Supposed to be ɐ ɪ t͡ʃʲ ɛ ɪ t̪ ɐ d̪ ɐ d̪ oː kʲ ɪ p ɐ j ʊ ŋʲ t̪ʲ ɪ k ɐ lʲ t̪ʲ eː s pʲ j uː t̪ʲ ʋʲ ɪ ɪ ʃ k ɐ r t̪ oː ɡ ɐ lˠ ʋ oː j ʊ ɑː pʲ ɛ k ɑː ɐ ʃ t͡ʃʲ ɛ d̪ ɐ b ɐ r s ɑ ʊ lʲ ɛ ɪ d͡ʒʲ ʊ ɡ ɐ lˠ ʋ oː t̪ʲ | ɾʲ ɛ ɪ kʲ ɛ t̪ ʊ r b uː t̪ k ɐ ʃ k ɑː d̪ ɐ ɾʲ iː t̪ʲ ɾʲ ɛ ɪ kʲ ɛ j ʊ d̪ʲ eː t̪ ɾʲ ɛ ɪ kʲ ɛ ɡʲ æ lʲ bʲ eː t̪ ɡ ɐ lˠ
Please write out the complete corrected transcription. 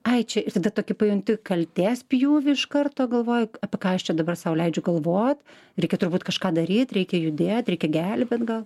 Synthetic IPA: ɐ ɪ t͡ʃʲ ɛ ɪ t̪ ɐ d̪ ɐ t̪ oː kʲ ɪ p ɐ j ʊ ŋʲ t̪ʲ ɪ k ɐ lʲ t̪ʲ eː s pʲ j uː ʋʲ ɪ ɪ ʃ k ɐ r t̪ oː ɡ ɐ lˠ ʋ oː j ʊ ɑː pʲ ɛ k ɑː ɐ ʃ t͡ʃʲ ɛ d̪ ɐ b ɐ r s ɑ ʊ lʲ ɛ ɪ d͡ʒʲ ʊ ɡ ɐ lˠ ʋ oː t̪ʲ | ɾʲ ɛ ɪ kʲ ɛ t̪ ʊ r b uː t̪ k ɐ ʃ k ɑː d̪ ɐ ɾʲ iː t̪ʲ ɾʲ ɛ ɪ kʲ ɛ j ʊ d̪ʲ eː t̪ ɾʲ ɛ ɪ kʲ ɛ ɡʲ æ lʲ bʲ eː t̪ ɡ ɐ lˠ